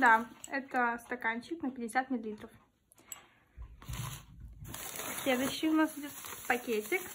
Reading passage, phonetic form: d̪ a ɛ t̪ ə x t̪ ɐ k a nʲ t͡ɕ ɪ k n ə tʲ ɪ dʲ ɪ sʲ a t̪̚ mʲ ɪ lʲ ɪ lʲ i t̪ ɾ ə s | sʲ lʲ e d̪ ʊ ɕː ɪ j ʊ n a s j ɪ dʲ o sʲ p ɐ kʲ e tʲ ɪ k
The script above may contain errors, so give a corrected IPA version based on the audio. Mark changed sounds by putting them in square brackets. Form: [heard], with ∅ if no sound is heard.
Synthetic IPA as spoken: d̪ a ɛ t̪ ə [s] t̪ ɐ k a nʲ t͡ɕ ɪ k n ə [pʲ] ɪ dʲ ɪ sʲ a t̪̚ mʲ ɪ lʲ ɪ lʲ i t̪ ɾ ə [f] | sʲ lʲ e d̪ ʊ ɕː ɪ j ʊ n a s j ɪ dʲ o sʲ p ɐ kʲ e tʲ ɪ k